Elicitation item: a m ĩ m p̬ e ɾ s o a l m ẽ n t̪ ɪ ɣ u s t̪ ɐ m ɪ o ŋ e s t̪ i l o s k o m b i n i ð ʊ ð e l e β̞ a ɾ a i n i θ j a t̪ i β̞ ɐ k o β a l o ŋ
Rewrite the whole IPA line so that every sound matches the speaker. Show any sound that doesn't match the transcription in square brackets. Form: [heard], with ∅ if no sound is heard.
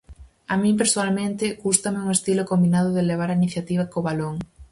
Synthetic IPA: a m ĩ m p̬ e ɾ s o a l m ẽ n t̪ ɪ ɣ u s t̪ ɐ m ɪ [u] ŋ e s t̪ i l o [∅] k o m b i n [a] ð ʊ ð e l e β̞ a ɾ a i n i θ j a t̪ i β̞ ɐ k o β a l o ŋ